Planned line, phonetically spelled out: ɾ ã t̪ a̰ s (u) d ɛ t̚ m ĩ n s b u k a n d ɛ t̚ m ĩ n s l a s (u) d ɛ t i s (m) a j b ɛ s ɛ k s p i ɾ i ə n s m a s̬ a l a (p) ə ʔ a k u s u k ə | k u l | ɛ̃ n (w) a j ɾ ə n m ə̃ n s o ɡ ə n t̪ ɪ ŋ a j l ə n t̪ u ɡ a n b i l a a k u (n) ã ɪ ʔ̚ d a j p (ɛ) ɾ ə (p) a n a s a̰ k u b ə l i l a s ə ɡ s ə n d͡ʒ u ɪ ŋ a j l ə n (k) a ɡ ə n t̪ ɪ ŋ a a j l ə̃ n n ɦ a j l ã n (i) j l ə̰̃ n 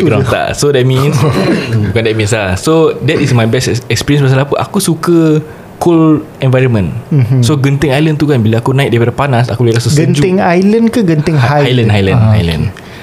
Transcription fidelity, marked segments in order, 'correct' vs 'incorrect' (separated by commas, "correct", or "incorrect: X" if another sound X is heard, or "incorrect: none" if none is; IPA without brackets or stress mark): incorrect: o, incorrect: o, correct, correct, incorrect: v, correct, incorrect: a, correct, correct, incorrect: a